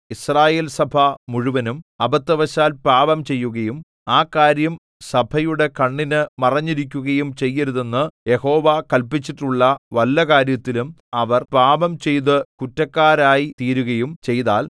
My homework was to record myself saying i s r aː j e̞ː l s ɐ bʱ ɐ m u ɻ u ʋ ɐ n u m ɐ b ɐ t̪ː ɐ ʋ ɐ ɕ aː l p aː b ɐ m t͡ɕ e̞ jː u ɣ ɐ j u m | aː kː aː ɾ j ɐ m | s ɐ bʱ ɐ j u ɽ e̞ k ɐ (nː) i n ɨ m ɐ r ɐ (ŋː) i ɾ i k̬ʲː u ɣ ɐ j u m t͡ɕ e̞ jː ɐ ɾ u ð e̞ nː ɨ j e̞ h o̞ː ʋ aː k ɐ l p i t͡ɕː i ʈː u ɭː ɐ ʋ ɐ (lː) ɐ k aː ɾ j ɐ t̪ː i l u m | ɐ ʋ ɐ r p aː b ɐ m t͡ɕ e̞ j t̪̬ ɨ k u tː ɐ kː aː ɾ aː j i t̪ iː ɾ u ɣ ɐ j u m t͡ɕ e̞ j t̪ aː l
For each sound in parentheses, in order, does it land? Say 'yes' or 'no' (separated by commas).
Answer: no, no, yes